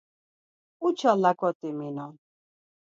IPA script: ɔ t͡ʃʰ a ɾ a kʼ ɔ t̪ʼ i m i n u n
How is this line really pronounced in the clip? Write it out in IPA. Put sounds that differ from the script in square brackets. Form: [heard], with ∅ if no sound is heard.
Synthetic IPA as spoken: [u] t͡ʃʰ a [l] a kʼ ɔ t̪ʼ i m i n [ɔ] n